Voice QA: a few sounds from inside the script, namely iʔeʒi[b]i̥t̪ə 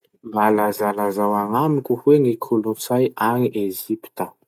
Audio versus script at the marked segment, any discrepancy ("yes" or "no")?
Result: yes